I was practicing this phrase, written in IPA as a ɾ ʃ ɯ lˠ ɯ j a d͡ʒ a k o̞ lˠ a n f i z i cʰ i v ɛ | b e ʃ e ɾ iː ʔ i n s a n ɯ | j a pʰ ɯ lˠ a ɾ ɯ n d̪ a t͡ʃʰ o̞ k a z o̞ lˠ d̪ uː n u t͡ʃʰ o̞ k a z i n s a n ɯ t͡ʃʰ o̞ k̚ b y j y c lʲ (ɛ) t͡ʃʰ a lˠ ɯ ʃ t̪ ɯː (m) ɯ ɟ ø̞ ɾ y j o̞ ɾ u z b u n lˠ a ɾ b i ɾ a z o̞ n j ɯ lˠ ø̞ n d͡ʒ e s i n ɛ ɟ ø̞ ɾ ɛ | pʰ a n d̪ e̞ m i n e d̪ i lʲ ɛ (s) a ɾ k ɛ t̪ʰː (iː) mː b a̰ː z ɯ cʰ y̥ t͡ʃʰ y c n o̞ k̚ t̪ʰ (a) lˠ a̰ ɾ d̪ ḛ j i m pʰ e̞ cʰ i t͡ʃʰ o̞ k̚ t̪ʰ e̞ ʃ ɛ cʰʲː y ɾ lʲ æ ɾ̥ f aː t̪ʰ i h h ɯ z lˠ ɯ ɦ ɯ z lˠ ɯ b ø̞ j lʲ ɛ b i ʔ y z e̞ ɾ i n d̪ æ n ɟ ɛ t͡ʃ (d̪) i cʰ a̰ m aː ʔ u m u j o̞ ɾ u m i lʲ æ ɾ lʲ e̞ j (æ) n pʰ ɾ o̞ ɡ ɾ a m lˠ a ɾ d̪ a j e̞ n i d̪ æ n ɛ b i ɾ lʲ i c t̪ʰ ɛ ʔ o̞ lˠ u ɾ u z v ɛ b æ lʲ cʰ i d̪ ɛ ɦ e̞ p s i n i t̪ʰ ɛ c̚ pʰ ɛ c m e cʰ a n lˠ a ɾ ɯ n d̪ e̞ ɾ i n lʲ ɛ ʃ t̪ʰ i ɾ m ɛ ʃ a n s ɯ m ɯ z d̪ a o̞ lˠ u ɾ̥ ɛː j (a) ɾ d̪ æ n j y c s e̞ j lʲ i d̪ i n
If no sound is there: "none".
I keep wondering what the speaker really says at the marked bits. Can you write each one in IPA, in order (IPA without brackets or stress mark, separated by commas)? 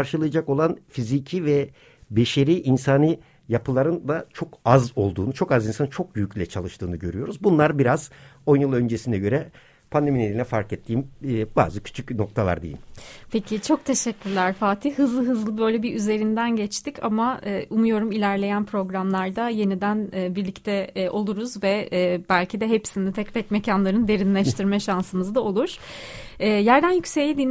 ɛ, n, f, iː, a, t̪, æ, æ